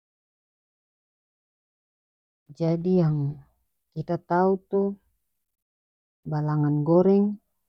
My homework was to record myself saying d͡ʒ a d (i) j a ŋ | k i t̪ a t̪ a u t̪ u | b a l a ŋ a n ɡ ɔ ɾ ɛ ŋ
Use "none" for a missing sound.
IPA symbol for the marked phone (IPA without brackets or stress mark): i